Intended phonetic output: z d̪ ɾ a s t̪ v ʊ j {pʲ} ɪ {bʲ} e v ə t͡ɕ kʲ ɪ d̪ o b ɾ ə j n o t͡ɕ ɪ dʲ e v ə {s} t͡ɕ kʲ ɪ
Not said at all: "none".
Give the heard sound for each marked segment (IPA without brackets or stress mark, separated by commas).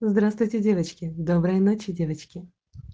tʲ, dʲ, none